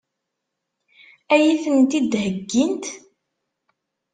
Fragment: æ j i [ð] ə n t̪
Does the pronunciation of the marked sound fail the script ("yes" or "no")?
yes